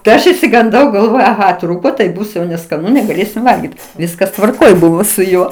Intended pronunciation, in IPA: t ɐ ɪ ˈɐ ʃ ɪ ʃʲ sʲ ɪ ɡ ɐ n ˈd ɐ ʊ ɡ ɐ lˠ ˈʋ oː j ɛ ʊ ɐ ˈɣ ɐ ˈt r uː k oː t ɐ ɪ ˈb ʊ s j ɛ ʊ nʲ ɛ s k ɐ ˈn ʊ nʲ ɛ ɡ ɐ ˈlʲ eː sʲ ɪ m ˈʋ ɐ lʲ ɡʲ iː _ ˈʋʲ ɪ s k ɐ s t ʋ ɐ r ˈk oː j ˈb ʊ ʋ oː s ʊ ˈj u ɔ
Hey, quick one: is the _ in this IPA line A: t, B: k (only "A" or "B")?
A